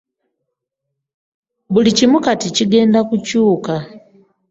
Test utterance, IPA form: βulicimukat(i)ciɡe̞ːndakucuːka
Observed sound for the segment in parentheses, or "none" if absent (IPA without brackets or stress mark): i